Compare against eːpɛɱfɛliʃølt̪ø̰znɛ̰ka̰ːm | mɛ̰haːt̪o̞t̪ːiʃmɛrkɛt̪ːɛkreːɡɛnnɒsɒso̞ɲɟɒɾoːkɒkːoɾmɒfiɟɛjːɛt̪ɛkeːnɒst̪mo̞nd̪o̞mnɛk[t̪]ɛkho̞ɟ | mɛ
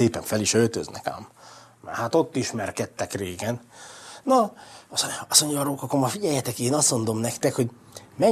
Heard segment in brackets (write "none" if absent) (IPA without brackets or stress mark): t̪